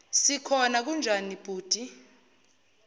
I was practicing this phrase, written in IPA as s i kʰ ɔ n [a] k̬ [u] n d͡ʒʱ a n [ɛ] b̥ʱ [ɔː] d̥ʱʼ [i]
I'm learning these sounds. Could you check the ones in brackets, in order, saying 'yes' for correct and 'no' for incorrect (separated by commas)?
yes, yes, no, no, yes